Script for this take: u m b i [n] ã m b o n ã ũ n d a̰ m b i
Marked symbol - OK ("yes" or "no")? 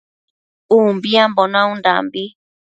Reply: no